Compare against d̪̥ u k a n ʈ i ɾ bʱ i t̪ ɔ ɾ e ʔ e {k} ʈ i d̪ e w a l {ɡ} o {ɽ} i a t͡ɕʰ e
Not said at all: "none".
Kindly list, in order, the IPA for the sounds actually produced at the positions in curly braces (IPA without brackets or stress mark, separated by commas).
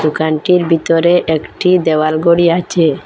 k, ɡ, ɽ